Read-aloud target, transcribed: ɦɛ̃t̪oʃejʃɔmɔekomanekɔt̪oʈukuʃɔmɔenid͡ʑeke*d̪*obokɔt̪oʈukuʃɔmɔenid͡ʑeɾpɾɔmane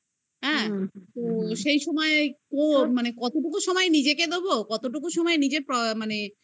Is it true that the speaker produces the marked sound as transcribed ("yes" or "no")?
yes